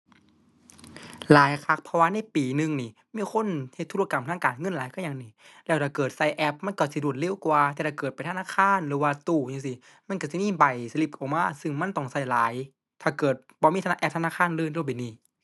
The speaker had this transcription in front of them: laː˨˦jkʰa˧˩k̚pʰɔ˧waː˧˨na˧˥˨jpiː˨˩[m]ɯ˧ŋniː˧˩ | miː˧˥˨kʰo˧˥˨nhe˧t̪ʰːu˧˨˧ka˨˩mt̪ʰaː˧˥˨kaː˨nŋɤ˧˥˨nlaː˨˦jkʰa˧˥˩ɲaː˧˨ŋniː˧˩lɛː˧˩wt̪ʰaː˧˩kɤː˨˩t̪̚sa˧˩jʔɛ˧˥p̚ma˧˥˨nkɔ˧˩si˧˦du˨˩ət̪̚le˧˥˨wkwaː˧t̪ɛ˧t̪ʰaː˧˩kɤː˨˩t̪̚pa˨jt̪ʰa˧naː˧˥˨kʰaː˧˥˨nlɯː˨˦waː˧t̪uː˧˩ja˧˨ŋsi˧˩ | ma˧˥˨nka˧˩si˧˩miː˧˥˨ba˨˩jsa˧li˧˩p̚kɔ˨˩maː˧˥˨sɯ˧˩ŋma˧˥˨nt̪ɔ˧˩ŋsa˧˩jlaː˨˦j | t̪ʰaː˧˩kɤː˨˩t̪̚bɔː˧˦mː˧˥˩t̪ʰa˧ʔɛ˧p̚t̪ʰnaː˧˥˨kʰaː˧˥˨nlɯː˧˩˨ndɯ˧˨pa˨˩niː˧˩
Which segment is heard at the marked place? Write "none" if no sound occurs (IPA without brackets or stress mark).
n